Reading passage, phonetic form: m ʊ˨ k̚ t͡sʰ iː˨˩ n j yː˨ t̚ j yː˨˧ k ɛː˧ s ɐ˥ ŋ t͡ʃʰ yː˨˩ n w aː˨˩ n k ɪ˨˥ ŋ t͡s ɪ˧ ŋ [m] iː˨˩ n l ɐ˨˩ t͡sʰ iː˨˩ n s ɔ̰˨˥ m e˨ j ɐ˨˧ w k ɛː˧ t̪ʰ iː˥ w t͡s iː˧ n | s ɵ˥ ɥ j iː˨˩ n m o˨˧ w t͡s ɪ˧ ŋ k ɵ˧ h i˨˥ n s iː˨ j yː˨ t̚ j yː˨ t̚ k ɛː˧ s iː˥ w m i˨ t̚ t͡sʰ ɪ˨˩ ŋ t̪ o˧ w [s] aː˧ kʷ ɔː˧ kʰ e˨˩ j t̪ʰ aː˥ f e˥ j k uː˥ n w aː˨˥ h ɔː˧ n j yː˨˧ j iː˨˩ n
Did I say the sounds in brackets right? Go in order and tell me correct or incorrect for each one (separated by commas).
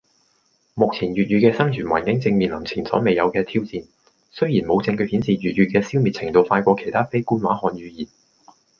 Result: correct, incorrect